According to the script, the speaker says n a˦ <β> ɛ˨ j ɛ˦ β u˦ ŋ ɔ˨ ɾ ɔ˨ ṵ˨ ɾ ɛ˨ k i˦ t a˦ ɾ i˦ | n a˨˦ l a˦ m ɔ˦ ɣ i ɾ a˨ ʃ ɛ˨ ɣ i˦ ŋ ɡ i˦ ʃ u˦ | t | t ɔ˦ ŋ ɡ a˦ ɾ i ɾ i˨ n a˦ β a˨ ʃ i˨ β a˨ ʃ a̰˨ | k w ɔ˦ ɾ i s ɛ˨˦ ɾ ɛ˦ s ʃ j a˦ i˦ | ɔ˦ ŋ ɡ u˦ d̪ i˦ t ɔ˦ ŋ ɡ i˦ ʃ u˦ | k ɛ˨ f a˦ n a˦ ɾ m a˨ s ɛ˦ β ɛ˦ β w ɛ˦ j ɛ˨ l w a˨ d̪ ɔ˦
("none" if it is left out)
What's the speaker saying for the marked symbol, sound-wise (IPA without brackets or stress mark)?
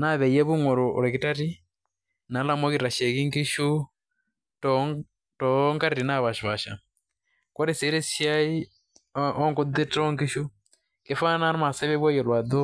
β